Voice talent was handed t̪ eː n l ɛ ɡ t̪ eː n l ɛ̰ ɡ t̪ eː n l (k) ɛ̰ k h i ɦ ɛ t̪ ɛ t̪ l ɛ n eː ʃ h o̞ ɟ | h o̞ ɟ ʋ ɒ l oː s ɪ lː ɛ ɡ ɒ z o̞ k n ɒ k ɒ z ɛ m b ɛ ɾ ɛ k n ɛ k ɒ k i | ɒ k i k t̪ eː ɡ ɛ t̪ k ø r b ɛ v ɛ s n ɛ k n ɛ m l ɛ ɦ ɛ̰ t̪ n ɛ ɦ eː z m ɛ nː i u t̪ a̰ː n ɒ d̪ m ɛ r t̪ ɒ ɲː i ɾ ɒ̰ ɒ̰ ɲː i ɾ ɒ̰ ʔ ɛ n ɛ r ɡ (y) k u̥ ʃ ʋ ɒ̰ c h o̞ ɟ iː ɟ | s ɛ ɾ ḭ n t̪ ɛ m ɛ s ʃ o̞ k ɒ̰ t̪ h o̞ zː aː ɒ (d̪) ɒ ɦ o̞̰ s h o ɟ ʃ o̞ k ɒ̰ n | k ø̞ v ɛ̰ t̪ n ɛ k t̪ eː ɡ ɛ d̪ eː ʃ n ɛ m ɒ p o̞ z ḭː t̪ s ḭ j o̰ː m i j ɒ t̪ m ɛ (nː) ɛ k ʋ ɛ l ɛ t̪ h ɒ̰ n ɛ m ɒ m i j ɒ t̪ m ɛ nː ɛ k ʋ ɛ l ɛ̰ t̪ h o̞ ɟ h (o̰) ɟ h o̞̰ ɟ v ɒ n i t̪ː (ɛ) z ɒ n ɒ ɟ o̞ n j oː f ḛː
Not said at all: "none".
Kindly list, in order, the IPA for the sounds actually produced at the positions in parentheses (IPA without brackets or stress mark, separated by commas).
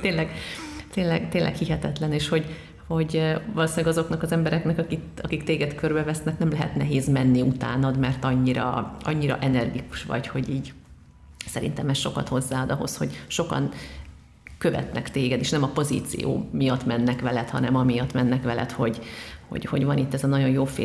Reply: ʔ, i, d̪, nː, o̰, ɛ